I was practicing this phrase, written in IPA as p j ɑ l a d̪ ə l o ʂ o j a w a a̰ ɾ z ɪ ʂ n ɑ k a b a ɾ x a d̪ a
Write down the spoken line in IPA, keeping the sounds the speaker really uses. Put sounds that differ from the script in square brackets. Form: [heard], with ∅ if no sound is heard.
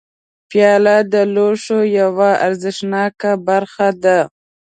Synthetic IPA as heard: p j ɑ l a d̪ ə l o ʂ o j a w a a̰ ɾ z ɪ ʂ n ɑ k a b a ɾ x a d̪ a